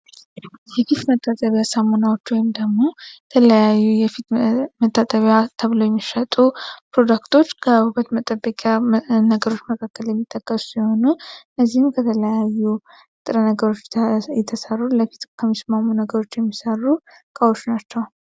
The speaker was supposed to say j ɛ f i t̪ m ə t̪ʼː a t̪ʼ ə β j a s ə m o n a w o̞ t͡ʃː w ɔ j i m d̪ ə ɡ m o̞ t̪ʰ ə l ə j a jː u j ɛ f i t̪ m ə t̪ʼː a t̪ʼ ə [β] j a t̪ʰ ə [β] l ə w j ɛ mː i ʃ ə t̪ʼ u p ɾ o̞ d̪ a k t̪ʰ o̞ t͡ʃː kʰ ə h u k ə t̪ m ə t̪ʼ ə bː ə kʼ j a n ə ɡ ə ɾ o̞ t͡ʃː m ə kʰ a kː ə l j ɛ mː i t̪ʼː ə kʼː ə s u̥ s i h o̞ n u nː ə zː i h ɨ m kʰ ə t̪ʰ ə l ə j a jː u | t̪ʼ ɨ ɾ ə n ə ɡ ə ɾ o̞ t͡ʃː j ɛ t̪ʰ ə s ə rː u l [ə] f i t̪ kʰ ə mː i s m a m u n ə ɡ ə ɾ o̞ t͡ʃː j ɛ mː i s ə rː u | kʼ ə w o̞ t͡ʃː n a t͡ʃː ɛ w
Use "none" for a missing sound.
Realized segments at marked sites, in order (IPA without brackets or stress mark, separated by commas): β, β, ə